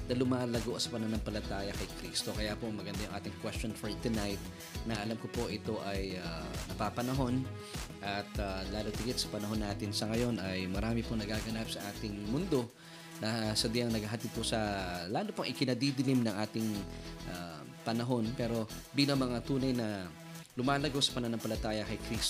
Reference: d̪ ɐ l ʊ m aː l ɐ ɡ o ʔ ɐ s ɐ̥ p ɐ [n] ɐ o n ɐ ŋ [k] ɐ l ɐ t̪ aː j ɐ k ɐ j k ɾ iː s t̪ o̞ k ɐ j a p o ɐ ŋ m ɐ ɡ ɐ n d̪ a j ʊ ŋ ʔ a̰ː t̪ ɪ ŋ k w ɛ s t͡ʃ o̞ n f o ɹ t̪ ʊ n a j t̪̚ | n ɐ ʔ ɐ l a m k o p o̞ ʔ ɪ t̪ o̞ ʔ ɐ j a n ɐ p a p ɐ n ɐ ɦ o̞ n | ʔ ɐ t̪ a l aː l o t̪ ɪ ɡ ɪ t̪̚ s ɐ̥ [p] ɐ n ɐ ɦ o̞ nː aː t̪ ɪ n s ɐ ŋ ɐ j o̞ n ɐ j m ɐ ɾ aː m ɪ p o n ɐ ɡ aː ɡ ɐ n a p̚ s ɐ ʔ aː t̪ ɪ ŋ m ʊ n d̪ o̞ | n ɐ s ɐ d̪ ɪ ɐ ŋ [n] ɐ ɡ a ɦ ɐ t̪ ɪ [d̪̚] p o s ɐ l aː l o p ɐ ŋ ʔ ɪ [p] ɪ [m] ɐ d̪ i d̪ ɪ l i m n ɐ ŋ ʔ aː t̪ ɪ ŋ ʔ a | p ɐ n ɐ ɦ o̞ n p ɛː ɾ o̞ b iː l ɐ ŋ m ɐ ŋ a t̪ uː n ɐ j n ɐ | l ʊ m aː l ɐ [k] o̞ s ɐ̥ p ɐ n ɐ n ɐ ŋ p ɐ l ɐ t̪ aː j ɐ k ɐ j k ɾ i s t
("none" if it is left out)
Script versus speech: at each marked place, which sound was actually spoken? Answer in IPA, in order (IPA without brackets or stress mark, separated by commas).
n, p, p, n, d̪̚, k, n, ɡ